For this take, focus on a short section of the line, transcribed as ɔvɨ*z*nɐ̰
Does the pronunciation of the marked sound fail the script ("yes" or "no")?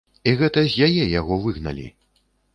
yes